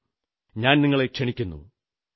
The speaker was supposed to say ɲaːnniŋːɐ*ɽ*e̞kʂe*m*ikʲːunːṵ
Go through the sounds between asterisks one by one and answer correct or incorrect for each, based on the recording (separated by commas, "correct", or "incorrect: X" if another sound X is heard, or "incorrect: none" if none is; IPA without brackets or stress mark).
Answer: incorrect: ɭ, incorrect: ɳ